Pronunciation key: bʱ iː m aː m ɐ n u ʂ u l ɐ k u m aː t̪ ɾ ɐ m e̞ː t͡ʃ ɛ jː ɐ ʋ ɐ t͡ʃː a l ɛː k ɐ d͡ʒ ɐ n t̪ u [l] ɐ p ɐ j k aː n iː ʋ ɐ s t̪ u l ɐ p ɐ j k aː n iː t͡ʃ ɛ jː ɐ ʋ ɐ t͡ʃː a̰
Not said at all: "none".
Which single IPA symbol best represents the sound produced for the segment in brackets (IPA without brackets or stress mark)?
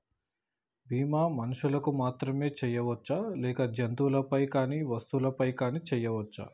l